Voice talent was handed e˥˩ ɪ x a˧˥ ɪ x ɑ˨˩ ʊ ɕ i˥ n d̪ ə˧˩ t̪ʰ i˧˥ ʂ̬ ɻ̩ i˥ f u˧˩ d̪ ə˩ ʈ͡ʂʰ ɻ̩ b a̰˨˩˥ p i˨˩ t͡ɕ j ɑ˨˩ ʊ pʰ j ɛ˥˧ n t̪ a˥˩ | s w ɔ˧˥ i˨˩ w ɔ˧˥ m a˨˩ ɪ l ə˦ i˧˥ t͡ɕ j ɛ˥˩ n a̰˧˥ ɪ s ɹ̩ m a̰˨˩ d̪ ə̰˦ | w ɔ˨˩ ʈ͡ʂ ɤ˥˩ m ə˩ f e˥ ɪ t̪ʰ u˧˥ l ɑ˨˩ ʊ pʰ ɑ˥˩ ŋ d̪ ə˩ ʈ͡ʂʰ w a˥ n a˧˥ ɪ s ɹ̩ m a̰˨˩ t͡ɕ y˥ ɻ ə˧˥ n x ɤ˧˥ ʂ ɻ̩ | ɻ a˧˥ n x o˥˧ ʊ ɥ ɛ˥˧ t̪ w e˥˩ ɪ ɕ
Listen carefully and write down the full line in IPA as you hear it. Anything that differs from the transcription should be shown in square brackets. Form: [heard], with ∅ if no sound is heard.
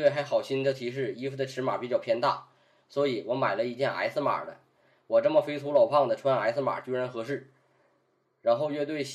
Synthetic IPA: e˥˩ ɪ x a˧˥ ɪ x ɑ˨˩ ʊ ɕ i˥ n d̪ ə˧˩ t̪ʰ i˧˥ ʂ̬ ɻ̩ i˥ f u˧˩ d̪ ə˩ ʈ͡ʂʰ ɻ̩ [m] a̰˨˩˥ p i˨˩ t͡ɕ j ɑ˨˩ ʊ pʰ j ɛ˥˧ n t̪ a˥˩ | s w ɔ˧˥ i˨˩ w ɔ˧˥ m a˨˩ ɪ l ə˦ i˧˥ t͡ɕ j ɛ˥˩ n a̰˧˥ ɪ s ɹ̩ m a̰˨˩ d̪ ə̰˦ | w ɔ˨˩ ʈ͡ʂ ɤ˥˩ m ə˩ f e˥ ɪ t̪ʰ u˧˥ l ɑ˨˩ ʊ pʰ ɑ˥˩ ŋ d̪ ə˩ ʈ͡ʂʰ w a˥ n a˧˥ ɪ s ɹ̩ m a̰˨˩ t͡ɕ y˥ ɻ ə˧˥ n x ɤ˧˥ ʂ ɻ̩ | ɻ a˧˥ n x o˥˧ ʊ ɥ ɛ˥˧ t̪ w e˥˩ ɪ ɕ